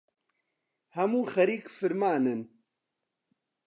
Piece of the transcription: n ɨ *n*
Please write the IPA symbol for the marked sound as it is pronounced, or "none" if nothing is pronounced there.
n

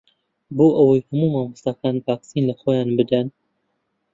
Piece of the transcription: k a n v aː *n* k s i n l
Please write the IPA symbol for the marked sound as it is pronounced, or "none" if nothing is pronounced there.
none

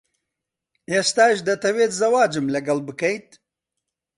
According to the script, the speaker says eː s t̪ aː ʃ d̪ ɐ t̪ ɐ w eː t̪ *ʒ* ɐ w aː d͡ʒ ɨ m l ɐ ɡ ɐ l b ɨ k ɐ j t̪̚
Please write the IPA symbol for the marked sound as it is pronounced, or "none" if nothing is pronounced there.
z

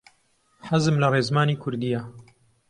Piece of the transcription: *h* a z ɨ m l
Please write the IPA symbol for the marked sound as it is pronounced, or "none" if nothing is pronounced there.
ħ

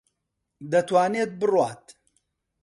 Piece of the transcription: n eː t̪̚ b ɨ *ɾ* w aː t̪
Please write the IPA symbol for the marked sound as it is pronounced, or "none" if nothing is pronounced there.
r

